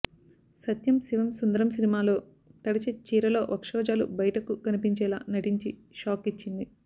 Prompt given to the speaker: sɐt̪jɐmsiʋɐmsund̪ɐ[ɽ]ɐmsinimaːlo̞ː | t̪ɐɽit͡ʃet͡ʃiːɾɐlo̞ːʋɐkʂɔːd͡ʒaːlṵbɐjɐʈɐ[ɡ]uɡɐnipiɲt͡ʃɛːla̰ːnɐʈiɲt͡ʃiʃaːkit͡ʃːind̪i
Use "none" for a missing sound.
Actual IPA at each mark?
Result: ɾ, k

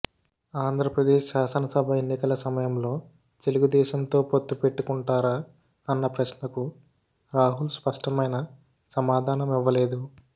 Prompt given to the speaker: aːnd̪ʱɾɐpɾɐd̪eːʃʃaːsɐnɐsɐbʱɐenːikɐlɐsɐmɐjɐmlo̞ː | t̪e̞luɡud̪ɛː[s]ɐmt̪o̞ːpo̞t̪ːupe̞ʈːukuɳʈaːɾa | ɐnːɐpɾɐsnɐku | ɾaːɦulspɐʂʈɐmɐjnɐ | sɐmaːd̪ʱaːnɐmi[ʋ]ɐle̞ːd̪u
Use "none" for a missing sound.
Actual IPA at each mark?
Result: ʃ, ʋː

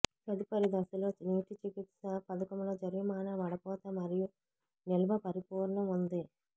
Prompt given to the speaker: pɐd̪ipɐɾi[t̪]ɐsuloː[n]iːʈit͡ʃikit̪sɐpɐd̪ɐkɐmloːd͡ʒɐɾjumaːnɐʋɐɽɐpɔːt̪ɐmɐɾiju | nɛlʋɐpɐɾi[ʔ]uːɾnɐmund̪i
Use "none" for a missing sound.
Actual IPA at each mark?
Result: d̪, n, p

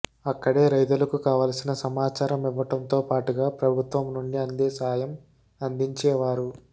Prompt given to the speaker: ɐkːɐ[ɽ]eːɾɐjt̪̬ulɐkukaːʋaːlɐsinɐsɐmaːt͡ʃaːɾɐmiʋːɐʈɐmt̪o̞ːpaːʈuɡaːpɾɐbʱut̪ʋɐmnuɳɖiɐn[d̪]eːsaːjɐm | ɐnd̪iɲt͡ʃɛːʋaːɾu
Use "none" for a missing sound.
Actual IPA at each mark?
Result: ɽ, d̪

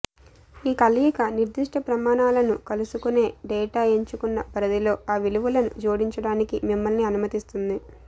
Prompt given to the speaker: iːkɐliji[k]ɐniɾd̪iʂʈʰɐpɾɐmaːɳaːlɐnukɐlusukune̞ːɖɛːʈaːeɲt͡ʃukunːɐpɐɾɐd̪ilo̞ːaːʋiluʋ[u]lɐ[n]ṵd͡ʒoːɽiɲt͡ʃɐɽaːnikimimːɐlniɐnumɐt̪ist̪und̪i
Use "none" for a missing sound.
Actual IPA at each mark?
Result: k, u, n

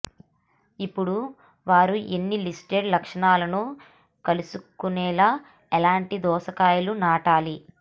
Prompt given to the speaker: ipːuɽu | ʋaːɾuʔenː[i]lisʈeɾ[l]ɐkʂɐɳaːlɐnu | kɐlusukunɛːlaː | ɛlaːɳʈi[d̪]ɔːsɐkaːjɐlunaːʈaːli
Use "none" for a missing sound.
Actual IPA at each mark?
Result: i, l, d̪

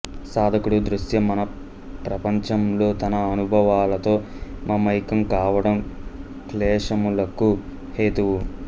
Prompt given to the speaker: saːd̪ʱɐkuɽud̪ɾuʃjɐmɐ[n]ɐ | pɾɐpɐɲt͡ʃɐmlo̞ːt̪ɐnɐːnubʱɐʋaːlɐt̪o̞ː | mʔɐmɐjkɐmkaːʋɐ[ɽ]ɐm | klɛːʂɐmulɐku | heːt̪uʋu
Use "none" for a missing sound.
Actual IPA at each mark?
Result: n, ɽ

